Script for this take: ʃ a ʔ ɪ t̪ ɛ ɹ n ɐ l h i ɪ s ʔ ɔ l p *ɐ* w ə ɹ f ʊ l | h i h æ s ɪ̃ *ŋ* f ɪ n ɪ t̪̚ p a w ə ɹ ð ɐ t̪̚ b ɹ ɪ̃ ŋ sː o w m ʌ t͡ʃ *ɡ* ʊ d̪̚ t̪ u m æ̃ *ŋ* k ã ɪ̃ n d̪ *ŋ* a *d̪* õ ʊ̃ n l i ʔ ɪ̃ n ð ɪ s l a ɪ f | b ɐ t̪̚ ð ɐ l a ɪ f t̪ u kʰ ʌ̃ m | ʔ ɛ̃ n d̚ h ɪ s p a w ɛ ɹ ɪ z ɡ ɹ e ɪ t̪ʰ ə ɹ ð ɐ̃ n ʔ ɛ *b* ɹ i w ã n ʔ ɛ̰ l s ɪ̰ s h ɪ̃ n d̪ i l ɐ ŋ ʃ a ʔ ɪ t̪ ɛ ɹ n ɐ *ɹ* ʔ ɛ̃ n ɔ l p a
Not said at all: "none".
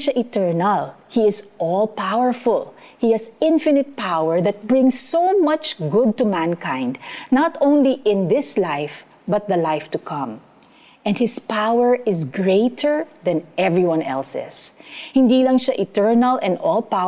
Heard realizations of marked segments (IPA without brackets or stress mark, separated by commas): a, n, ɡ, n, n, t̪, v, l